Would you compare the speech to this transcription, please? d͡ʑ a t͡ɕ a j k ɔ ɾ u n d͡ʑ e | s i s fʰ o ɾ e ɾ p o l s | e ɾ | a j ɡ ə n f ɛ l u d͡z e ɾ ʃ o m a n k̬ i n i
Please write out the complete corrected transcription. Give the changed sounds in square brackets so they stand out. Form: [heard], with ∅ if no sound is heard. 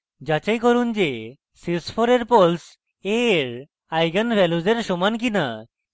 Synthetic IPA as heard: d͡ʑ a t͡ɕ a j k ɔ ɾ u n d͡ʑ e | s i s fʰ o ɾ e ɾ p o l s | e ɾ | a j ɡ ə n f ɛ l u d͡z e ɾ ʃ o m a n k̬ i n [a]